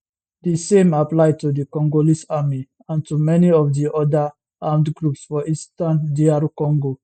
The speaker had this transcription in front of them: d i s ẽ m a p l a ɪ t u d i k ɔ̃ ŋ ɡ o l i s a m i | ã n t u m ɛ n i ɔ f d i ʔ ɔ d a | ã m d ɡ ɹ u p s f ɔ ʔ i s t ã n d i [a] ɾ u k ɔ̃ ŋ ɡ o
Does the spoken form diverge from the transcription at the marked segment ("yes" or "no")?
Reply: no